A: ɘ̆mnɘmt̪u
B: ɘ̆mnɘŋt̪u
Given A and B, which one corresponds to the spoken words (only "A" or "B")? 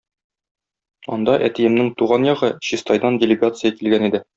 B